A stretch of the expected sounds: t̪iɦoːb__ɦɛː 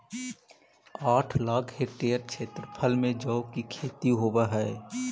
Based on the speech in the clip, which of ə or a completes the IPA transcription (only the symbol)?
a